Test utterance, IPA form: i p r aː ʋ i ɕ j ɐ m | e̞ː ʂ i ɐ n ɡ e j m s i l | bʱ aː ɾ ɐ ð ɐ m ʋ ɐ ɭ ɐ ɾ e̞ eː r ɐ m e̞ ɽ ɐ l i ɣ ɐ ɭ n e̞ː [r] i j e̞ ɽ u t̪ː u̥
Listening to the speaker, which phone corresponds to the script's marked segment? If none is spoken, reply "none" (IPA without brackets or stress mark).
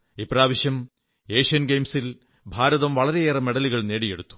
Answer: ɽ